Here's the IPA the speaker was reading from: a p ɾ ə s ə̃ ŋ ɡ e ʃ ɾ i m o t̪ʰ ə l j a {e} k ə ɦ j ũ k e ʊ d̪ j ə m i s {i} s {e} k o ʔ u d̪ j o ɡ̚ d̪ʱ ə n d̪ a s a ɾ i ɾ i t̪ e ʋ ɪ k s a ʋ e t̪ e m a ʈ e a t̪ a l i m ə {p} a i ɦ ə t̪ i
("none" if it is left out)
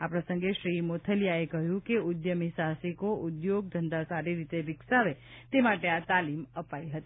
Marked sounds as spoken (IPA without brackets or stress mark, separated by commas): e, a, i, p